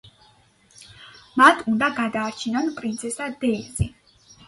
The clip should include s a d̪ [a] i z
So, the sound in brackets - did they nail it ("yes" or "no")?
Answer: no